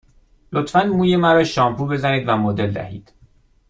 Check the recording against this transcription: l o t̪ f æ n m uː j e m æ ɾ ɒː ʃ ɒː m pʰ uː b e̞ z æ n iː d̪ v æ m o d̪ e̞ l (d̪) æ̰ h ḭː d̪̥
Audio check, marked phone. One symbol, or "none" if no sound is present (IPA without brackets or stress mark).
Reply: d̪